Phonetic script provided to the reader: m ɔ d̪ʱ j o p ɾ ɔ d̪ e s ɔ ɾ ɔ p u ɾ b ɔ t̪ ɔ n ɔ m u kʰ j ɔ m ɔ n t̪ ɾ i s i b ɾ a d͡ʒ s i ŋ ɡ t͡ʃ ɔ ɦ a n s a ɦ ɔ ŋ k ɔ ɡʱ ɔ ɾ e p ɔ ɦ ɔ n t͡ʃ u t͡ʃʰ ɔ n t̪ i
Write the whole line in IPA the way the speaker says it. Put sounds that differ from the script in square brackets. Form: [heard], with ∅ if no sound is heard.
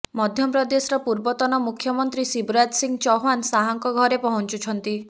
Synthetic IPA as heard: m ɔ d̪ʱ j [ɔ] p ɾ ɔ d̪ e s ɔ ɾ ɔ p u ɾ b ɔ t̪ ɔ n ɔ m u kʰ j ɔ m ɔ n t̪ ɾ i s i b ɾ a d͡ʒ s i ŋ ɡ t͡ʃ ɔ ɦ a n s a ɦ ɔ ŋ k ɔ ɡʱ ɔ ɾ e p ɔ ɦ ɔ n t͡ʃ u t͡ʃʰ ɔ n t̪ i